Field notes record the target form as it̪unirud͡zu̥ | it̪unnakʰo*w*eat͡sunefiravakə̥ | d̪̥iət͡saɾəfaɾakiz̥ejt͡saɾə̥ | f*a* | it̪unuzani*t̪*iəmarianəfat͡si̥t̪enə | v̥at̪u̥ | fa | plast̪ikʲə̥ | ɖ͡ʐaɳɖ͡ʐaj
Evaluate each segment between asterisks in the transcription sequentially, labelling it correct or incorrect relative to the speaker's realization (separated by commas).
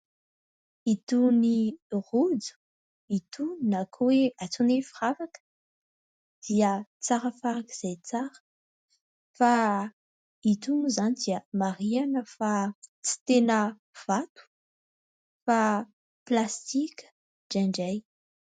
correct, correct, incorrect